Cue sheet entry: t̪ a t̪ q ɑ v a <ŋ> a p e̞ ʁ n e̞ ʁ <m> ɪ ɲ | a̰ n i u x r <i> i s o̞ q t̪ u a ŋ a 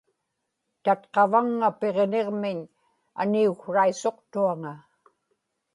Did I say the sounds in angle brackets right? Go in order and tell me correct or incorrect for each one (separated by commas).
incorrect, correct, incorrect